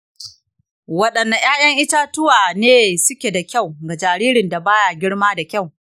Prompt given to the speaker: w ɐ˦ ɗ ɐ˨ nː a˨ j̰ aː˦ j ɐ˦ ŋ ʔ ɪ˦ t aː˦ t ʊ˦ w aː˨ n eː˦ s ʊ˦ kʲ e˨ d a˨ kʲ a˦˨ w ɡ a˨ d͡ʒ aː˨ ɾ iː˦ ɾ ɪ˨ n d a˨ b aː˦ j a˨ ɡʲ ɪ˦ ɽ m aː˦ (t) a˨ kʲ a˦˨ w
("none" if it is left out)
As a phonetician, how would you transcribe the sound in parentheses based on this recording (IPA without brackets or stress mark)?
d